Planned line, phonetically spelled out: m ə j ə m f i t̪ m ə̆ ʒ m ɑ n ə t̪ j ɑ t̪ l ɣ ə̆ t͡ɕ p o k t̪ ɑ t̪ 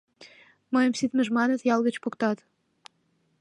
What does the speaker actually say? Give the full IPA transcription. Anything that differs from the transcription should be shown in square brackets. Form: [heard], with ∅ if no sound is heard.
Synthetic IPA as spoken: m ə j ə m [s] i t̪ m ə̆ ʒ m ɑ n ə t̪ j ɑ [∅] l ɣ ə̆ t͡ɕ p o k t̪ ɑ t̪